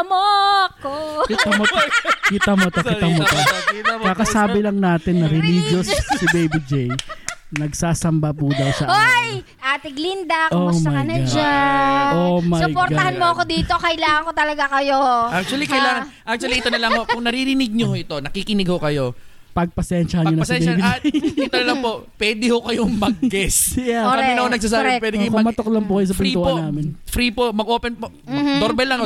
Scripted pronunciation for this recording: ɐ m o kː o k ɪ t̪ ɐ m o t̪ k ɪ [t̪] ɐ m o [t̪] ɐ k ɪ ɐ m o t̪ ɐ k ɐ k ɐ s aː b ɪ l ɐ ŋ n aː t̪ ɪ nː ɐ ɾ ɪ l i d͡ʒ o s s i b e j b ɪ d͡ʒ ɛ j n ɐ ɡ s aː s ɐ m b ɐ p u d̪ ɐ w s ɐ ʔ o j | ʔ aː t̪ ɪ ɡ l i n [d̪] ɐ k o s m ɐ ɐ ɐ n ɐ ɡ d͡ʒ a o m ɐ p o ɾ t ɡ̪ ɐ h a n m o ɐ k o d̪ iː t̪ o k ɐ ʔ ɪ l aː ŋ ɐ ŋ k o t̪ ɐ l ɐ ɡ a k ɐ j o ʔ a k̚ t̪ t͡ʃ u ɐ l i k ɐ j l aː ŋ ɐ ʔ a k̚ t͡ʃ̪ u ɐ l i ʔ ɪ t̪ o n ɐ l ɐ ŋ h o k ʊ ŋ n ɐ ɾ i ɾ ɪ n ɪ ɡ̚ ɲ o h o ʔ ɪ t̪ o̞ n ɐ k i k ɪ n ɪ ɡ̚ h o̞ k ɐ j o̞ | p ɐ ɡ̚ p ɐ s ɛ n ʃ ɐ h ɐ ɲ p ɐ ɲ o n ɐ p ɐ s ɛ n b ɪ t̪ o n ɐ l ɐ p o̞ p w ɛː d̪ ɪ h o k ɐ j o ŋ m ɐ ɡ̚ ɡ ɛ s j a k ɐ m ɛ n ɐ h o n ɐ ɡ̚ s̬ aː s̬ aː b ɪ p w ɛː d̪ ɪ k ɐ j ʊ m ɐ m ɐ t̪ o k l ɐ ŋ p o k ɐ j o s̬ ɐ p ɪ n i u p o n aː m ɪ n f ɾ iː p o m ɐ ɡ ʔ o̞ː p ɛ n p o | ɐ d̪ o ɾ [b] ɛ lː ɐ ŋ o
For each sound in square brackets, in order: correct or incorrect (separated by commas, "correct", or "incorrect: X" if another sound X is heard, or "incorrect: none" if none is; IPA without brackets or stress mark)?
correct, correct, correct, correct